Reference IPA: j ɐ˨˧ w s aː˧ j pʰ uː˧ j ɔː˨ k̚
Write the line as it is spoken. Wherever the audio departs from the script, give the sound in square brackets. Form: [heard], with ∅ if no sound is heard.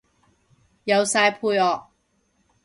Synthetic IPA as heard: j ɐ˨˧ w s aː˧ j pʰ uː˧ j ɔː˨ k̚